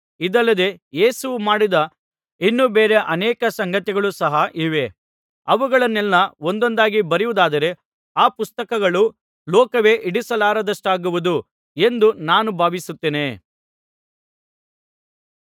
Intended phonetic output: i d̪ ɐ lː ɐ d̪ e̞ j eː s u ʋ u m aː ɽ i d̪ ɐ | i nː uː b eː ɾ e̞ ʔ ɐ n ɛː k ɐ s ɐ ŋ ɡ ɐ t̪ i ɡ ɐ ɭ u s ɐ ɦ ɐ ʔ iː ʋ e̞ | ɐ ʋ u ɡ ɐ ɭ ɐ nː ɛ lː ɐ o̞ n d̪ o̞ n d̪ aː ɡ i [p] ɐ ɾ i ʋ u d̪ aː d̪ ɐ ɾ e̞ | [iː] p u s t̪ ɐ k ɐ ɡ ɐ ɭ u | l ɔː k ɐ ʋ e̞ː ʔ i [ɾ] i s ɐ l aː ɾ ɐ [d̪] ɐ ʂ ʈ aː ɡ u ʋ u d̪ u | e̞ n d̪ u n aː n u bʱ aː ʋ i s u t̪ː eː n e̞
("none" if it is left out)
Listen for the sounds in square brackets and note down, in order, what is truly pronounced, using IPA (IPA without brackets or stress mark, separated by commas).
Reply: b, aː, ɽ, d̪